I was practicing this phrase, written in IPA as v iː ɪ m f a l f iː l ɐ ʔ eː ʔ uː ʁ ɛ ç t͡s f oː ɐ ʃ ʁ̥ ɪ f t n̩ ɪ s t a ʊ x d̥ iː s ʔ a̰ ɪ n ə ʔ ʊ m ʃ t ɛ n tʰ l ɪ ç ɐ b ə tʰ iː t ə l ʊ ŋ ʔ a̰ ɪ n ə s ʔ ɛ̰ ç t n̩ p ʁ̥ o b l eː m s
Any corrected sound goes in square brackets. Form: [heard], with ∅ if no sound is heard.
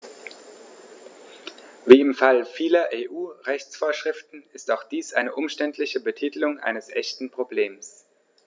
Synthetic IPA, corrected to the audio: v iː ɪ m f a l f iː l ɐ ʔ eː ʔ uː ʁ ɛ ç t͡s f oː ɐ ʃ ʁ̥ ɪ f t n̩ ɪ s t a ʊ x d̥ iː s ʔ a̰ ɪ n ə ʔ ʊ m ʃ t ɛ n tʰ l ɪ ç [ə] b ə tʰ iː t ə l ʊ ŋ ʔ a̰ ɪ n ə s ʔ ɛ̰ ç t n̩ p ʁ̥ o b l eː m s